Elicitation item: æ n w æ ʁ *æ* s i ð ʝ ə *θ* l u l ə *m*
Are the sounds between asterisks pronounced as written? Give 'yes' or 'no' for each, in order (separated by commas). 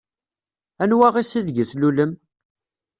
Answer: no, yes, yes